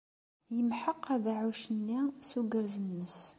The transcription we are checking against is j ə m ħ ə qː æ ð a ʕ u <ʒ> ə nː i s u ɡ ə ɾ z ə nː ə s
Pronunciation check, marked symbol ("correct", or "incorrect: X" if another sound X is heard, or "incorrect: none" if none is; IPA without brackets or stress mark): incorrect: ʃ